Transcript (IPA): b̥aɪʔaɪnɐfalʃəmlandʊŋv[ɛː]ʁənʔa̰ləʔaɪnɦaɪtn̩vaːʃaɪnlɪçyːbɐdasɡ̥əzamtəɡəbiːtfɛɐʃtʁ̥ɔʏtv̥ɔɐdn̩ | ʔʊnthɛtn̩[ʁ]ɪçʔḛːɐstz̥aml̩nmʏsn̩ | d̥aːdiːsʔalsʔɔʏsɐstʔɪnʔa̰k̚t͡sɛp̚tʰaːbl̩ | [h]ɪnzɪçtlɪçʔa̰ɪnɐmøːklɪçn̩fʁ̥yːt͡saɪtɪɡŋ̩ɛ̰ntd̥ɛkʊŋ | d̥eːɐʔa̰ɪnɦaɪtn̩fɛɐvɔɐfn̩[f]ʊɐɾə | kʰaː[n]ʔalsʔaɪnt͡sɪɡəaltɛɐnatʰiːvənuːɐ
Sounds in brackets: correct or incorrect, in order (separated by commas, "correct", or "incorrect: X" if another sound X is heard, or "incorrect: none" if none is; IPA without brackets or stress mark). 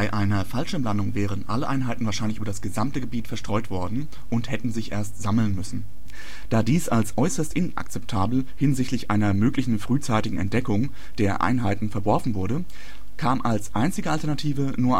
correct, incorrect: z, correct, incorrect: v, incorrect: m